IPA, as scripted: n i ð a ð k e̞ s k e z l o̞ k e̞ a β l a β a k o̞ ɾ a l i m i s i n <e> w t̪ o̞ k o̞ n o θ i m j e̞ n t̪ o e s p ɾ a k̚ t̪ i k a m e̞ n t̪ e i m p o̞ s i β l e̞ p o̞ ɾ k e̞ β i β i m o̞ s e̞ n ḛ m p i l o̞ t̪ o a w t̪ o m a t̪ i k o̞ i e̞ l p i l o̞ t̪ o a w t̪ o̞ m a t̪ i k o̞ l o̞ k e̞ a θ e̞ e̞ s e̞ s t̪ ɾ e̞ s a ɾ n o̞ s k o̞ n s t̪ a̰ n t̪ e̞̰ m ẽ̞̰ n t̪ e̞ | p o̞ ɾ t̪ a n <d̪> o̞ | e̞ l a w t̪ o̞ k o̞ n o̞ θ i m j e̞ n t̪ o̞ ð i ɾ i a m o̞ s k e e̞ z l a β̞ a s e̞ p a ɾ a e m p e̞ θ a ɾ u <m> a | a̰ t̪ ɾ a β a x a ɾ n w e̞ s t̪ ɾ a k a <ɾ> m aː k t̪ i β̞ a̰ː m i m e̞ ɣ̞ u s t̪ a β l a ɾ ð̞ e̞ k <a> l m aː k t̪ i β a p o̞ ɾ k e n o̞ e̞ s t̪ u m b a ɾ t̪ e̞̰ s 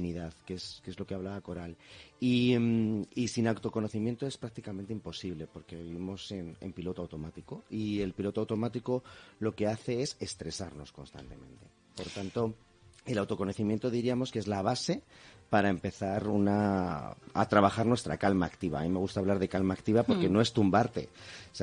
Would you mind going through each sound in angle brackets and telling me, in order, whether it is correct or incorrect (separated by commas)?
incorrect, incorrect, incorrect, incorrect, correct